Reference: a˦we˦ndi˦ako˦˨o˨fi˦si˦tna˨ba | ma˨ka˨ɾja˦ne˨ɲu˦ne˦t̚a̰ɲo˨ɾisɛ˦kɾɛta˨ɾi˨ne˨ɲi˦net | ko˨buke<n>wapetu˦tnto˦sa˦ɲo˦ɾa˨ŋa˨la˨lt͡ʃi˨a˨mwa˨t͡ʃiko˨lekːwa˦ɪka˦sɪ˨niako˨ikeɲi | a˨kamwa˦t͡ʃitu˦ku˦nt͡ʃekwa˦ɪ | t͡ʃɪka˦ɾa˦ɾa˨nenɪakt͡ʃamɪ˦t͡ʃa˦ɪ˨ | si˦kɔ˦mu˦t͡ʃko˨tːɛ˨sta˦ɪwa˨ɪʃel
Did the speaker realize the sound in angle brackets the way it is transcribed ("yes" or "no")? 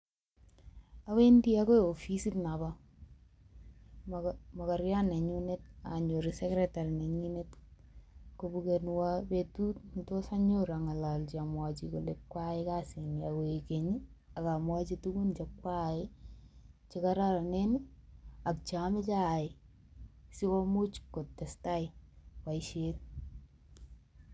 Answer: yes